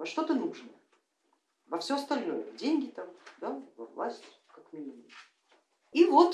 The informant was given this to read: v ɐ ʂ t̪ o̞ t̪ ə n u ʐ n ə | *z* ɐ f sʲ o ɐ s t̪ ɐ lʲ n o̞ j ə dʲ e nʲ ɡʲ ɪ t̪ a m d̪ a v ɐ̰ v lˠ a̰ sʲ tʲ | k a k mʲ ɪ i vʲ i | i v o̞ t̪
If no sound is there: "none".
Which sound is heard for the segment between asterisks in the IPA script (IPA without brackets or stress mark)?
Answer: v